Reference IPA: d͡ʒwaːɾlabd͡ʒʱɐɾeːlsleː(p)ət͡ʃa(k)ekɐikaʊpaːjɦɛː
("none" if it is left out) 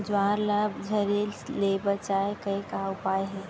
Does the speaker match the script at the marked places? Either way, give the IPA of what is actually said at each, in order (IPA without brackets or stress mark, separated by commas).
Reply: b, none